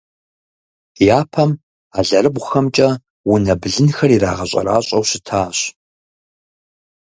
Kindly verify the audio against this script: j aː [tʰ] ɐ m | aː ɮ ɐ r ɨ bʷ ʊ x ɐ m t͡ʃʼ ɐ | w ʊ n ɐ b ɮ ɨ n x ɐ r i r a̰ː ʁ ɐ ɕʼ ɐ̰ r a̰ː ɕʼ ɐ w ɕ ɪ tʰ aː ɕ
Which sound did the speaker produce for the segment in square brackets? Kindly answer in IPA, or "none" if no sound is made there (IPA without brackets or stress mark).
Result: pʰ